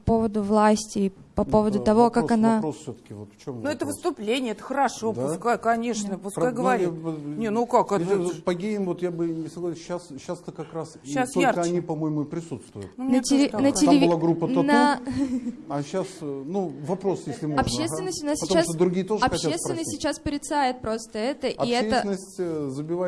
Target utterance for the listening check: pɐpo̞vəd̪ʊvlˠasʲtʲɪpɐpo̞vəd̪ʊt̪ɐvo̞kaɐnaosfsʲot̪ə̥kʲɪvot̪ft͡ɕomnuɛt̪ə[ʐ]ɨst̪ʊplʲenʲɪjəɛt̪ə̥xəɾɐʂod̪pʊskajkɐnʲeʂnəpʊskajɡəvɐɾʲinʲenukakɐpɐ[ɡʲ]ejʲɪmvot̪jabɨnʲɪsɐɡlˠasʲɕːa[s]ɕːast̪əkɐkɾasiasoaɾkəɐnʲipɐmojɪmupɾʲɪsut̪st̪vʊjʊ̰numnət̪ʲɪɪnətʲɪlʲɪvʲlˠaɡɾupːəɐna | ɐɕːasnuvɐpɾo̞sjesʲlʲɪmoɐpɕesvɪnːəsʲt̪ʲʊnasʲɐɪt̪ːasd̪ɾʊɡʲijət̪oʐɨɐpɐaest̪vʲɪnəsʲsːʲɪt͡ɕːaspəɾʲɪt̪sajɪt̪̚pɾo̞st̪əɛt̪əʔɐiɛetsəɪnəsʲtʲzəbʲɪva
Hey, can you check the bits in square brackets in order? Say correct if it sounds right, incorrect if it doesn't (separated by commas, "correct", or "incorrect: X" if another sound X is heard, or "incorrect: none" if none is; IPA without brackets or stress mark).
incorrect: v, correct, correct